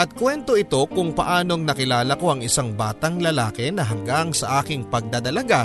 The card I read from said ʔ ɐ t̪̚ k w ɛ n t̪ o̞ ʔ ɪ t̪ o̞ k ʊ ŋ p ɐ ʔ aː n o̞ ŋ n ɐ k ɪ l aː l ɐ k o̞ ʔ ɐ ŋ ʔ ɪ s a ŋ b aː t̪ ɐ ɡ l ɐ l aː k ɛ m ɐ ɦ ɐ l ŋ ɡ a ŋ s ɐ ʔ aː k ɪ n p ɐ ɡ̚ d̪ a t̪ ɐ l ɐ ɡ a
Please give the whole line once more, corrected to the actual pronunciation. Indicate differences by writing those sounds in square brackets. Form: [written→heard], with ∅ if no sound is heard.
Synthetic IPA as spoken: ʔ ɐ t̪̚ k w ɛ n t̪ o̞ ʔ ɪ t̪ o̞ k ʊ ŋ p ɐ ʔ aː n o̞ ŋ n ɐ k ɪ l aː l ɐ k o̞ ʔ ɐ ŋ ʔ ɪ s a ŋ b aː t̪ ɐ [ɡ→ŋ] l ɐ l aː k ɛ [m→n] ɐ ɦ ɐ [l→∅] ŋ ɡ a ŋ s ɐ ʔ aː k ɪ [n→ŋ] p ɐ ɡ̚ d̪ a [t̪→d̪] ɐ l ɐ ɡ a